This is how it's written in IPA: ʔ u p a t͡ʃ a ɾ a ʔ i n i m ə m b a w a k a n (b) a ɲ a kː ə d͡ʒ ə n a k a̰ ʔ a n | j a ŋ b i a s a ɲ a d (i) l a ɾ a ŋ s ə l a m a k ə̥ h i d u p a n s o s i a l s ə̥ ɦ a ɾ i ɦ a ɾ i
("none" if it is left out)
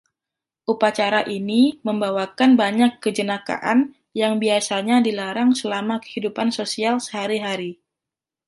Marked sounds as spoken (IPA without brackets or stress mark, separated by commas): b, i